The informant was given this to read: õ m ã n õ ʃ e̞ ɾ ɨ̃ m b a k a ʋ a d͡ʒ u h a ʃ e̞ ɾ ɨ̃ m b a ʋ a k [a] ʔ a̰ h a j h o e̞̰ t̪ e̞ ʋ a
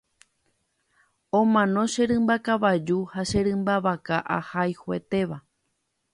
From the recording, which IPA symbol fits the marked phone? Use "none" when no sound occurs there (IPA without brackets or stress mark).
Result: a